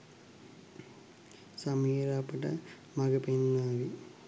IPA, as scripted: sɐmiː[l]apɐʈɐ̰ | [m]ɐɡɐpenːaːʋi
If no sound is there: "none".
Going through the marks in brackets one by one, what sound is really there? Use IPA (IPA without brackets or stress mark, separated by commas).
ɾ, m